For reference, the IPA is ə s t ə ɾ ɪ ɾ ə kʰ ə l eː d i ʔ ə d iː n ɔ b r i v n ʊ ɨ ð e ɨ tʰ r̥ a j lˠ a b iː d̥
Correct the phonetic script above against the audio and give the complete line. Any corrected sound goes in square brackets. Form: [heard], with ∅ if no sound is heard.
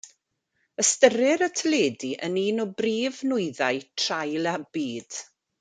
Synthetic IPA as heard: ə s t ə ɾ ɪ ɾ ə [tʰ] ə l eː d i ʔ ə [n] iː n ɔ b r [iː] v n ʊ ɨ ð [a] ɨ tʰ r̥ a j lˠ a b iː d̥